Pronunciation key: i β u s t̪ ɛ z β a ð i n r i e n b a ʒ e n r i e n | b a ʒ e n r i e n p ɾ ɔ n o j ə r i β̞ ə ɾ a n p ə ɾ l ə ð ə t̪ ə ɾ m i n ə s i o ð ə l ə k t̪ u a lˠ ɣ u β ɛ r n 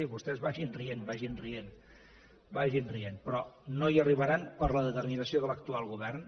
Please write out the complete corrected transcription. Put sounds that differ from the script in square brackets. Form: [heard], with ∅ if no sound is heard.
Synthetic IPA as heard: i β u s t̪ ɛ z β a [ʒ] i n r i e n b a ʒ [i] n r i e n | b a ʒ [i] n r i e n p ɾ ɔ n o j ə r i β̞ ə ɾ a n p ə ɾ l ə ð ə t̪ ə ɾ m i n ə s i o ð ə l ə k t̪ u a lˠ ɣ u β ɛ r n